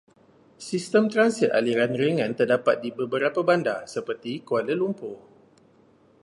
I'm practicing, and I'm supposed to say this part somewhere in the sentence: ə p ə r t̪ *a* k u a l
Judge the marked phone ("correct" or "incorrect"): incorrect